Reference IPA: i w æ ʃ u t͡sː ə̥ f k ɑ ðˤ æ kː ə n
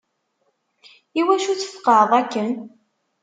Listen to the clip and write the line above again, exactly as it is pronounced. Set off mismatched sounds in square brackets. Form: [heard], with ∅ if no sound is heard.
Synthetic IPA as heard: i w æ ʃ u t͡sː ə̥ f [q] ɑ ðˤ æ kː ə n